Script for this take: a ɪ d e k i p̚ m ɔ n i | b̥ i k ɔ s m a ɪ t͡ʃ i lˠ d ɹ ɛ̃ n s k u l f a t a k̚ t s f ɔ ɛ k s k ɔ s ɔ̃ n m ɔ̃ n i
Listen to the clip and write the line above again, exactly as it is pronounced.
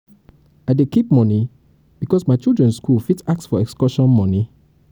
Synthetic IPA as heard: a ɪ d e k i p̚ m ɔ n i | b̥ i k ɔ s m a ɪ t͡ʃ i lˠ d ɹ ɛ̃ n s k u l f i t a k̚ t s f ɔ ɛ k s k ɔ ʃ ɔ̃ n m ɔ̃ n i

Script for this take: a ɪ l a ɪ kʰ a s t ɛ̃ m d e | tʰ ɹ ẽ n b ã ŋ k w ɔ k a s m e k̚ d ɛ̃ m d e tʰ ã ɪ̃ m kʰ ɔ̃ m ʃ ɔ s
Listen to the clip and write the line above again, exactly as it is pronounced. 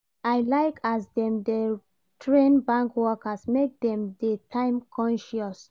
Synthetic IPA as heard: a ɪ l a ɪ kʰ a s d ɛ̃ m d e | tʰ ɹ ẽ n b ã ŋ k w ɔ k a s m e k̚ d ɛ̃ m d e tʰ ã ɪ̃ m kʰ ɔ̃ n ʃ ɔ s

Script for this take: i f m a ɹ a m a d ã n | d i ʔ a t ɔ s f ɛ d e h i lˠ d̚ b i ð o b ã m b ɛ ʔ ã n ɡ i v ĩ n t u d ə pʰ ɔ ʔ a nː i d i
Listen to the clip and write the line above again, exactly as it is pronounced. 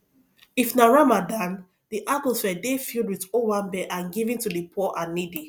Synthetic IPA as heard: i f n a ɹ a m a d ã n | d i ʔ a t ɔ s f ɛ d e f i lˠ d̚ w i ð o w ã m b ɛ ʔ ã n ɡ i v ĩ n t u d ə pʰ ɔ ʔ a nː i d i

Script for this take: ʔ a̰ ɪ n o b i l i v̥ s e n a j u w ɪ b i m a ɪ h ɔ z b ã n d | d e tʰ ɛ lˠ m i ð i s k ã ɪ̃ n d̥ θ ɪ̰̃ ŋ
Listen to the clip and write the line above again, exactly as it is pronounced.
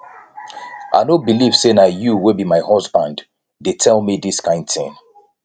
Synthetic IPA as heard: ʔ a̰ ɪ n o b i l i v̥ s e n a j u w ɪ b i m a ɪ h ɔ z b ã n d | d e tʰ ɛ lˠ m i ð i s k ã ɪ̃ n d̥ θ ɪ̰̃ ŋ

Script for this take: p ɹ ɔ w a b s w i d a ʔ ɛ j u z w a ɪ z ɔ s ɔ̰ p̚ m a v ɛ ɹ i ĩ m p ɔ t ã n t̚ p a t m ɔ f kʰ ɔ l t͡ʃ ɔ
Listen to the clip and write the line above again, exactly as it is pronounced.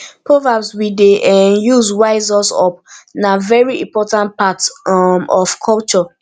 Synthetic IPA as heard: p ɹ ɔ v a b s w i d e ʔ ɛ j u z w a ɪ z ɔ s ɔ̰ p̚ n a v ɛ ɹ i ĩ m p ɔ t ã n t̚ p a t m ɔ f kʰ ɔ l t͡ʃ ɔ

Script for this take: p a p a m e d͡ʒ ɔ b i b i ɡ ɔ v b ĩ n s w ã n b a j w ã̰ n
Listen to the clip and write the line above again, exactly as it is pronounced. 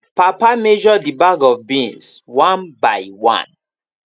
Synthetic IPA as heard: p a p a m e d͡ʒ ɔ d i b a ɡ ɔ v b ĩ n s w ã n b a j w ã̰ n

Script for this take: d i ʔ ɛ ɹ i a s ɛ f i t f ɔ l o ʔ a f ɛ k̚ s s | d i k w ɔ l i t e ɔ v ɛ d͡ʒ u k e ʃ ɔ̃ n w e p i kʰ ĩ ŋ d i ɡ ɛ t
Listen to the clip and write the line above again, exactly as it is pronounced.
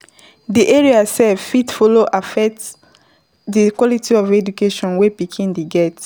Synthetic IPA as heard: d i ʔ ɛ ɹ i a s ɛ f i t f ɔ l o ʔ a f ɛ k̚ t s | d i k w ɔ l i t i ɔ v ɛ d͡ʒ u k e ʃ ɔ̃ n w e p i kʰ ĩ n d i ɡ ɛ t

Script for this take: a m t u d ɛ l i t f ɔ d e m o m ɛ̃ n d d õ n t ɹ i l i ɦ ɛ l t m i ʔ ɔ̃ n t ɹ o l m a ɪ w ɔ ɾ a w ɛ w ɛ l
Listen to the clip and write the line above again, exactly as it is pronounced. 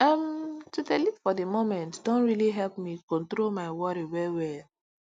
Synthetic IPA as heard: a m t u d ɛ l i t f ɔ d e m o m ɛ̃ n t d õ n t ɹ i l i ɦ ɛ l p m i k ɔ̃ n t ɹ o l m a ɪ w ɔ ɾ i w ɛ w ɛ l

